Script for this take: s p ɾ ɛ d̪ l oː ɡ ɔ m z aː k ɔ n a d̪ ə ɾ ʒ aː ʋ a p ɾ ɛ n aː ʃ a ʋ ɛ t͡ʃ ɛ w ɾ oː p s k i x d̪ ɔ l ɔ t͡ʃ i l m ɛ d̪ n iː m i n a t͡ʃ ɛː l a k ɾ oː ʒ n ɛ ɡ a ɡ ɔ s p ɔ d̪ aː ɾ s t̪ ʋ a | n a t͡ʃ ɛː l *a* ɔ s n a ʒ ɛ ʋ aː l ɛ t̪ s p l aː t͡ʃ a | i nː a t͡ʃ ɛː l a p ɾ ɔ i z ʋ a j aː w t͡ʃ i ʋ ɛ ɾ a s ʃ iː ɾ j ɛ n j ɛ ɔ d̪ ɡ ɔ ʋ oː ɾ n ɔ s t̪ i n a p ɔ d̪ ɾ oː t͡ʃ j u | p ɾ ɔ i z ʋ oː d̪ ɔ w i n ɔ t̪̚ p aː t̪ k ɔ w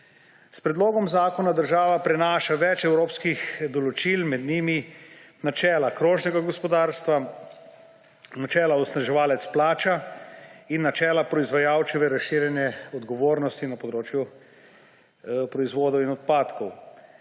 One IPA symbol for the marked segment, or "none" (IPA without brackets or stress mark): a